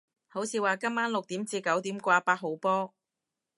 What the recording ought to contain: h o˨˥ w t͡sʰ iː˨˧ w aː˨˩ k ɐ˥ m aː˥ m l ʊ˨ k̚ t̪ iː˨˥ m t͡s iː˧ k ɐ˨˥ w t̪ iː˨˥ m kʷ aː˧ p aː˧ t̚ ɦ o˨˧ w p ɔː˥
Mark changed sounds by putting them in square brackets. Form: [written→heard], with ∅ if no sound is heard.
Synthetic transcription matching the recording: h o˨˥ w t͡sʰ iː˨˧ w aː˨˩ k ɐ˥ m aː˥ [m→n] l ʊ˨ k̚ t̪ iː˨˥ m t͡s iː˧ k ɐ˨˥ w t̪ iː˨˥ m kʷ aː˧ p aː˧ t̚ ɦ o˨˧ w p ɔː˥